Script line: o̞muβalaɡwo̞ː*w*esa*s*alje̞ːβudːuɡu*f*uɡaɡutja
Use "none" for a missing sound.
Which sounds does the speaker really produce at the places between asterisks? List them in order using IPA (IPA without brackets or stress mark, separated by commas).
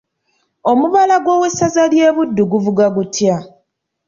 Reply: w, z, v